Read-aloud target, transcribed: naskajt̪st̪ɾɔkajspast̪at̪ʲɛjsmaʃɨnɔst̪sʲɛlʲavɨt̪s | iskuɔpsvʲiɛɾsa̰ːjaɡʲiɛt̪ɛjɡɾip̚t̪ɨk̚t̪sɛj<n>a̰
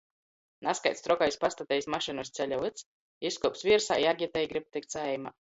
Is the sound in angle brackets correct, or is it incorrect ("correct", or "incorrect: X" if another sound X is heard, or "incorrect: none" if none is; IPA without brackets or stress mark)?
incorrect: m